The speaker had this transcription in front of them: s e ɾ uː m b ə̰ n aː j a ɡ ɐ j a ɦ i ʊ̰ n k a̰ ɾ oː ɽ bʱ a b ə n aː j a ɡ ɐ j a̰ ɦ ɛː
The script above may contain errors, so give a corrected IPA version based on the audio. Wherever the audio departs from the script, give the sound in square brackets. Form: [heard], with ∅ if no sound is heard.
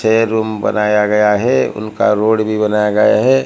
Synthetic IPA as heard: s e ɾ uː m b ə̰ n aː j a ɡ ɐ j a ɦ [ɛ] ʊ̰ n k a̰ ɾ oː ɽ bʱ [i] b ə n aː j a ɡ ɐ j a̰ ɦ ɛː